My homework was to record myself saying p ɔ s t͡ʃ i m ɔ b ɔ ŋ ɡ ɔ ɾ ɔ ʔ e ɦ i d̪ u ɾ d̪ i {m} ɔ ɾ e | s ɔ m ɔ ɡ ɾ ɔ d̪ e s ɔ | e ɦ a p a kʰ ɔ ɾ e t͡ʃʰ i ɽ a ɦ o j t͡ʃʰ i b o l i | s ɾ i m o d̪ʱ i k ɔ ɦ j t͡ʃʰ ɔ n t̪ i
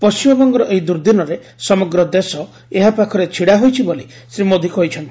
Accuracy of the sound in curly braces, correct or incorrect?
incorrect